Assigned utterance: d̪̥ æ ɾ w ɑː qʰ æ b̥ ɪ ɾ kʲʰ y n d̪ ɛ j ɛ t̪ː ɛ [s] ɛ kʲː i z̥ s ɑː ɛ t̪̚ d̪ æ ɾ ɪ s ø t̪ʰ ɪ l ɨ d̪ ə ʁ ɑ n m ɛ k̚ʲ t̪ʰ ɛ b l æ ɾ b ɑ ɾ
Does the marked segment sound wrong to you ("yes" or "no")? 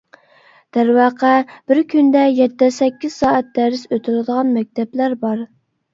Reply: no